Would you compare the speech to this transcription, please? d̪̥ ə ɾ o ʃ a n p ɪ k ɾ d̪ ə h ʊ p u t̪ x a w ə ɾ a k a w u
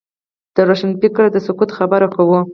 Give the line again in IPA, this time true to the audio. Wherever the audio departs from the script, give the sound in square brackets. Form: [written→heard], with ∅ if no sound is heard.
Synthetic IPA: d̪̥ ə ɾ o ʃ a n p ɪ k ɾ d̪ ə [h→s] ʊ [p→k] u t̪ x a [w→b] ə ɾ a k a w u